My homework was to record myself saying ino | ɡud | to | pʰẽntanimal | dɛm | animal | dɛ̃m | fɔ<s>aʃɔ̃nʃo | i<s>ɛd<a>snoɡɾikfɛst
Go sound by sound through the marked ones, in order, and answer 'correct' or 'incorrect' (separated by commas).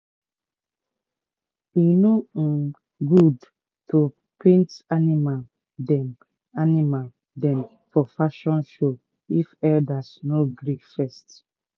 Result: incorrect, incorrect, correct